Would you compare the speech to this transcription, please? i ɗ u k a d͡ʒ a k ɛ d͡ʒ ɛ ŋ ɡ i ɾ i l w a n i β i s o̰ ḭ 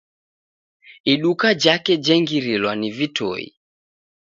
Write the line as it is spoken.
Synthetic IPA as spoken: i ɗ u k a d͡ʒ a k ɛ d͡ʒ ɛ ŋ ɡ i ɾ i l w a n i v i t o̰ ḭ